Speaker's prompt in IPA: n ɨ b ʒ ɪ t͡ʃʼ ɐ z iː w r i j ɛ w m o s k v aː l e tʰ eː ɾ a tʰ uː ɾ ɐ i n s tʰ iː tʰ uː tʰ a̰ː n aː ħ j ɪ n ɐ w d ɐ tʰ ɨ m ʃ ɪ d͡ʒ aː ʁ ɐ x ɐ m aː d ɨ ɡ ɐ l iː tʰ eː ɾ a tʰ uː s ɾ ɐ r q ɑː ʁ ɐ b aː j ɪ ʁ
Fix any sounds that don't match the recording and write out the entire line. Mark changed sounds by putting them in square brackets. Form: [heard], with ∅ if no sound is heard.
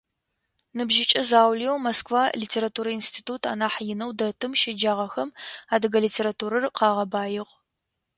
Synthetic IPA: n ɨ b ʒ ɪ t͡ʃʼ ɐ z [aː] w [l] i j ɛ w m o s k v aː l [i] tʰ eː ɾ a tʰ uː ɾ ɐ i n s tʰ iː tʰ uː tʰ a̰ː n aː ħ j ɪ n ɐ w d ɐ tʰ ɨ m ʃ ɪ d͡ʒ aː ʁ ɐ x ɐ m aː d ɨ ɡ ɐ l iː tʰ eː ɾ a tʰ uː [∅] ɾ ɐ r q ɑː ʁ ɐ b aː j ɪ ʁ

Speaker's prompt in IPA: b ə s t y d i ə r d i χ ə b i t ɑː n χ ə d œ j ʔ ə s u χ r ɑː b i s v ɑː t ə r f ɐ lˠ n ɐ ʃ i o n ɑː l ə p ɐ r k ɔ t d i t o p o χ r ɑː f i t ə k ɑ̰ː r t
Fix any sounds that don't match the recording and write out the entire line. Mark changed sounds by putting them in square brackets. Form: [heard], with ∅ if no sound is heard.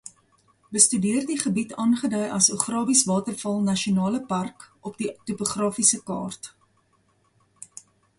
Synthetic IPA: b ə s t y d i ə r d i χ ə b i t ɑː n χ ə d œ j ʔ [ɐ] s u χ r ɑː b i s v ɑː t ə r f ɐ lˠ n ɐ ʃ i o n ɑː l ə p ɐ r k ɔ [p] d i t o p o χ r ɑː f i [s] ə k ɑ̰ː r t

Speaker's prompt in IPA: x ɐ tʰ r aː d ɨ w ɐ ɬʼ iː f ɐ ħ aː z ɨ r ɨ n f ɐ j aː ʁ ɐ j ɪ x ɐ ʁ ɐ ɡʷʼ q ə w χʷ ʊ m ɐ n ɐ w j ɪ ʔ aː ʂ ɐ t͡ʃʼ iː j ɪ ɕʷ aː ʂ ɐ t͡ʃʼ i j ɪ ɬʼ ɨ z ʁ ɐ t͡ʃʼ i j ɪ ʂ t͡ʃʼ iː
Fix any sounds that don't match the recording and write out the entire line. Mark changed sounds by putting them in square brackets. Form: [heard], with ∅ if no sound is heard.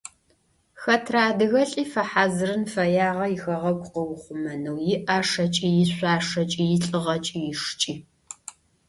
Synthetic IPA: x ɐ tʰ r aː d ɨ [ɣ] ɐ ɬʼ iː f ɐ ħ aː z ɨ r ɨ n f ɐ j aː ʁ ɐ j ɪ x ɐ ʁ ɐ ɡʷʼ q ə w χʷ ʊ m ɐ n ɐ w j ɪ ʔ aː ʂ ɐ t͡ʃʼ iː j ɪ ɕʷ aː ʂ ɐ t͡ʃʼ i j ɪ ɬʼ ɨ [∅] ʁ ɐ t͡ʃʼ i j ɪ ʂ t͡ʃʼ iː

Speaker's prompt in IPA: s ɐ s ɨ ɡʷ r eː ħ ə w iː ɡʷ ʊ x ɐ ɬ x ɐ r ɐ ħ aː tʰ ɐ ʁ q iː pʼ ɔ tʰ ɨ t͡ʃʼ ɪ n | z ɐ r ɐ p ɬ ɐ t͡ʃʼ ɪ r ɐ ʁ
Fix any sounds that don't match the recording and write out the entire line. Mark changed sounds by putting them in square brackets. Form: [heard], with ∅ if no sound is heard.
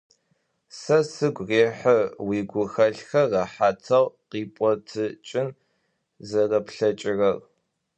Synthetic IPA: s ɐ s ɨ ɡʷ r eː ħ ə w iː ɡʷ ʊ x ɐ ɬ x ɐ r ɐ ħ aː tʰ ɐ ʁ q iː pʼ ɔ tʰ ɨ t͡ʃʼ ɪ n | z ɐ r ɐ p ɬ ɐ t͡ʃʼ ɪ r ɐ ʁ

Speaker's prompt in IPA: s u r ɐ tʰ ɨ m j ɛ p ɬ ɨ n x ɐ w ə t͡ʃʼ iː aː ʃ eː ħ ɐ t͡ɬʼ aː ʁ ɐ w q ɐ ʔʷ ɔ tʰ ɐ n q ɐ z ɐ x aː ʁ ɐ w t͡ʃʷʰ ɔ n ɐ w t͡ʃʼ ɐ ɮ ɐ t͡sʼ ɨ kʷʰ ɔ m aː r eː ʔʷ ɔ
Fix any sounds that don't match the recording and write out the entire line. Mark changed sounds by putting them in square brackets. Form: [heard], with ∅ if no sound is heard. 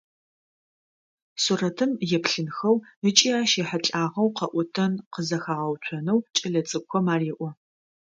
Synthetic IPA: s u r ɐ tʰ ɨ m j ɛ p ɬ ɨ n x ɐ w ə t͡ʃʼ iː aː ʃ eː ħ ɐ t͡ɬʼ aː ʁ ɐ w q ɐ ʔʷ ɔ tʰ ɐ n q [ə] z ɐ x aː ʁ ɐ w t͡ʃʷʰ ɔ n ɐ w t͡ʃʼ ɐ ɮ ɐ t͡sʼ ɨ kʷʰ ɔ m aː r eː ʔʷ ɔ

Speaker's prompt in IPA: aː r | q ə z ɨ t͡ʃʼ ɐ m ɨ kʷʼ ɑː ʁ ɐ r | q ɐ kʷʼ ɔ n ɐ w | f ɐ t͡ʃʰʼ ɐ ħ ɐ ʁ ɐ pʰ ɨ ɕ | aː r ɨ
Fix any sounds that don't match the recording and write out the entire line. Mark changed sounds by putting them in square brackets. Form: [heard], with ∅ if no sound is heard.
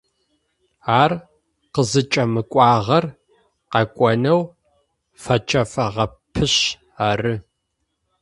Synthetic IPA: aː r | q ə z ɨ t͡ʃʼ ɐ m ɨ kʷʼ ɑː ʁ ɐ r | q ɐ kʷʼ ɔ n ɐ w | f ɐ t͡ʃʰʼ ɐ [f] ɐ ʁ ɐ pʰ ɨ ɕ | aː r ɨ

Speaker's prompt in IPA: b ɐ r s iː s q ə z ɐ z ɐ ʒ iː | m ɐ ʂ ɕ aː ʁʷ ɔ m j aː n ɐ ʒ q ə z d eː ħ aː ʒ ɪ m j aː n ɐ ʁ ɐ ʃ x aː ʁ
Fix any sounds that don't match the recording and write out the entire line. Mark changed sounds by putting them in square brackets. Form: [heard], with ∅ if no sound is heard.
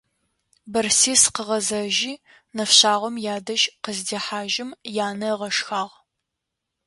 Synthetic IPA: b ɐ r s iː s q ə [ʁ] ɐ z ɐ ʒ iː | [n] ɐ [f] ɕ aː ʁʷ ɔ m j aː [d] ɐ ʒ q ə z d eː ħ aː ʒ ɪ m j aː n ɐ ʁ ɐ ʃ x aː ʁ

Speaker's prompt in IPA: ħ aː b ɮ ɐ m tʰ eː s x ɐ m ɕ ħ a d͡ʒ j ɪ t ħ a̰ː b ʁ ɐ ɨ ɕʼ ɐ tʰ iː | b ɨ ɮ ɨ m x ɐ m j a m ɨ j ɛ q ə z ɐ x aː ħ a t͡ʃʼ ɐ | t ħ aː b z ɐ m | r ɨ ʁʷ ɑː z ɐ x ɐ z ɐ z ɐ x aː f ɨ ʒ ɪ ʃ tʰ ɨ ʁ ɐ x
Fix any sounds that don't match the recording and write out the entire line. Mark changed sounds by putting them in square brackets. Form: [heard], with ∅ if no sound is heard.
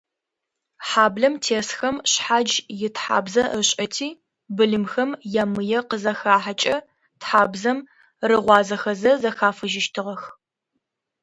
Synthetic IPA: ħ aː b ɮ ɐ m tʰ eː s x ɐ m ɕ ħ a d͡ʒ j ɪ t ħ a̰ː b [z] ɐ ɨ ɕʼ ɐ tʰ iː | b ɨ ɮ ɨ m x ɐ m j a m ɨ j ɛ q ə z ɐ x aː ħ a t͡ʃʼ ɐ | t ħ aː b z ɐ m | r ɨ ʁʷ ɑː z ɐ x ɐ z ɐ z ɐ x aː f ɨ ʒ ɪ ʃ tʰ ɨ ʁ ɐ x

